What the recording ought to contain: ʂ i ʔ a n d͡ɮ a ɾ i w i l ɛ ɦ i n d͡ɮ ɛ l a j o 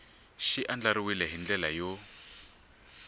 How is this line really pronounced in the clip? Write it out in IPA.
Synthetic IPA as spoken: ʃ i ʔ a n d͡ɮ a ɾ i w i l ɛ ɦ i n d͡ɮ ɛ l a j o

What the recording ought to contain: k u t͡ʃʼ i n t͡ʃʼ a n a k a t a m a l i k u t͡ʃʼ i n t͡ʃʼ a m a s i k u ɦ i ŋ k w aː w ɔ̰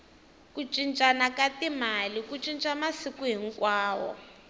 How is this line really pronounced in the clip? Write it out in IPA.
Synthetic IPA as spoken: k u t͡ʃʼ i n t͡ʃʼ a n a k a t i m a l i k u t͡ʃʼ i n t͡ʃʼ a m a s i k u ɦ i ŋ k w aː w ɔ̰

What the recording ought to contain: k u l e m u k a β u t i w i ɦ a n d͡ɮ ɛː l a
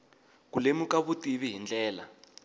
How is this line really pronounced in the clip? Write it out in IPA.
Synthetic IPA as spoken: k u l e m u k a β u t i β i ɦ i n d͡ɮ ɛː l a

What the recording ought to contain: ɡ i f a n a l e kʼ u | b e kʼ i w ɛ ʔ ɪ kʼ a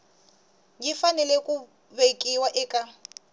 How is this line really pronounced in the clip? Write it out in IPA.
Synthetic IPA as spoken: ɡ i f a n ɛ l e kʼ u | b e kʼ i w a ʔ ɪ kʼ a

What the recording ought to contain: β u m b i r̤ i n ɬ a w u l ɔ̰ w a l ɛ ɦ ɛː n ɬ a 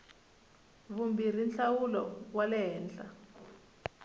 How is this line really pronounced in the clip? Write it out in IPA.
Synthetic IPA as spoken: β u m b i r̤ i n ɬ a w u l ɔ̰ w a l ɛ ɦ ɛː n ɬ a

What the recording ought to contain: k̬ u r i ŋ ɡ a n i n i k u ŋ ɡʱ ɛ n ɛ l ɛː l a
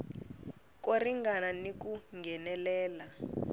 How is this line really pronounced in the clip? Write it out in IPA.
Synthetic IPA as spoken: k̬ o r i ŋ ɡ a n a n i k u ŋ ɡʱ ɛ n ɛ l ɛː l a

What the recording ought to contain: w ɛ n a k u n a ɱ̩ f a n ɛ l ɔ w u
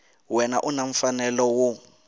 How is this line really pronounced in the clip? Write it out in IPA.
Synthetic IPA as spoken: w ɛ n a ʔ u n a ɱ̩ f a n ɛ l ɔ w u

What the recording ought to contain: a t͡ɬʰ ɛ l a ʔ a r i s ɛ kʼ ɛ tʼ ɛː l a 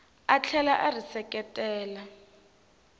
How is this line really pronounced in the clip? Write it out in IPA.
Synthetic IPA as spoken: a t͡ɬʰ ɛ l a ʔ a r i s ɛ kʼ ɛ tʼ ɛː l a

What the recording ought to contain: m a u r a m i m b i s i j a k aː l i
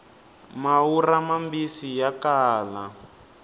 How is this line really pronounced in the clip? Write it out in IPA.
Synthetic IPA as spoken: m a u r a m a m b i s i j a k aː l a

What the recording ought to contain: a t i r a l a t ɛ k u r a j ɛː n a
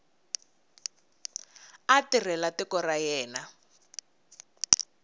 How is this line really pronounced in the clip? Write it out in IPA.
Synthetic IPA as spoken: a t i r ɛ l a t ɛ k ɔ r a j ɛː n a

